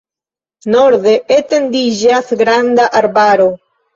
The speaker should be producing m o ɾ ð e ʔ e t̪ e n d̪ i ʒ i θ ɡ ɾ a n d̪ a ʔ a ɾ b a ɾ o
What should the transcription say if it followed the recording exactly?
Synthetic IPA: n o ɾ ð e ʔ e t̪ e n d̪ i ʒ a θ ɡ ɾ a n d̪ a ʔ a ɾ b a ɾ o